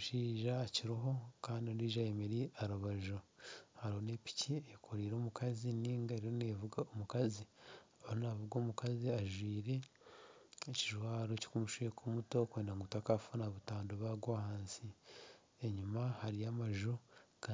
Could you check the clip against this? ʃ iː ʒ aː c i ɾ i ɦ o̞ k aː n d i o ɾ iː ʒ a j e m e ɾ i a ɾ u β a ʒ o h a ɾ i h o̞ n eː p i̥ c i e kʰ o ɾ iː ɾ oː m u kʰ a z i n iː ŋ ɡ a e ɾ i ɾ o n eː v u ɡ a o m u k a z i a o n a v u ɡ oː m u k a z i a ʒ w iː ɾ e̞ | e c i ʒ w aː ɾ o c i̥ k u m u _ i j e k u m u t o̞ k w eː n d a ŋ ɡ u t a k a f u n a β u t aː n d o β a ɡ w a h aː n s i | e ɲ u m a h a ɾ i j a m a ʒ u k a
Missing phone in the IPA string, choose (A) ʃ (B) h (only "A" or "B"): A